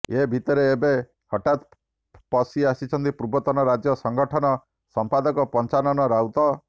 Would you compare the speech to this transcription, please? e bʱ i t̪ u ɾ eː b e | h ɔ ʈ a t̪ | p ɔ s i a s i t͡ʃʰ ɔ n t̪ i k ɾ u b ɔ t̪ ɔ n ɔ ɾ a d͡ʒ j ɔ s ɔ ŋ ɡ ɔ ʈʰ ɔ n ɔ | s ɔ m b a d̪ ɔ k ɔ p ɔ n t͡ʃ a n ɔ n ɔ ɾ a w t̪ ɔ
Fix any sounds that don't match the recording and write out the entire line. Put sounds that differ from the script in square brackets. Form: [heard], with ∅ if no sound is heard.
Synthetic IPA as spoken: e bʱ i t̪ [ɔ] ɾ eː b e | h ɔ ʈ a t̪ | p ɔ s i a s i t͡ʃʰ ɔ n t̪ i [p] ɾ u b ɔ t̪ ɔ n ɔ ɾ a d͡ʒ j ɔ s ɔ ŋ ɡ ɔ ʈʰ ɔ n ɔ | s ɔ m [p] a d̪ ɔ k ɔ p ɔ n t͡ʃ a n ɔ n ɔ ɾ a w t̪ ɔ